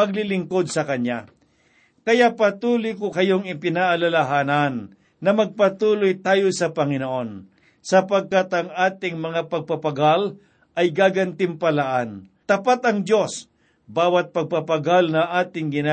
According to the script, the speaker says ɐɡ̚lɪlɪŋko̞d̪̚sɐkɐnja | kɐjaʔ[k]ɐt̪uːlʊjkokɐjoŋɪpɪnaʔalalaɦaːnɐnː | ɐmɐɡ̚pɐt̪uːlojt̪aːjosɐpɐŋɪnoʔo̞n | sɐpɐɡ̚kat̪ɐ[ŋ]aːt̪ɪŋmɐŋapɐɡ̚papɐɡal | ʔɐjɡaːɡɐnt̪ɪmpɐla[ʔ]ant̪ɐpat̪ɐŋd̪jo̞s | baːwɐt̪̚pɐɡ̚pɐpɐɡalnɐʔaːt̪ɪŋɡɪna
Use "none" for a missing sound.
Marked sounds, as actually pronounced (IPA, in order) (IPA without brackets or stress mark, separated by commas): p, ŋ, ʔ